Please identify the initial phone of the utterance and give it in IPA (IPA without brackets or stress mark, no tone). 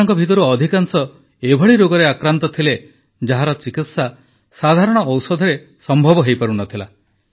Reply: ŋ